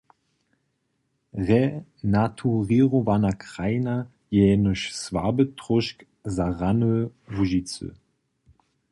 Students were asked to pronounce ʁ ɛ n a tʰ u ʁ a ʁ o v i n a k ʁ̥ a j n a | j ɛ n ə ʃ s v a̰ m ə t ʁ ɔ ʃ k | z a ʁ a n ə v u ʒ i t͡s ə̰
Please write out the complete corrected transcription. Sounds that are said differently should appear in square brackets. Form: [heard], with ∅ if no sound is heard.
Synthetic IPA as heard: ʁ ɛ n a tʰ u ʁ [i] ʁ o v [a] n a k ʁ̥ a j n a | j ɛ n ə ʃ s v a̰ [b] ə t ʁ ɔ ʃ k | z a ʁ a n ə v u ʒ i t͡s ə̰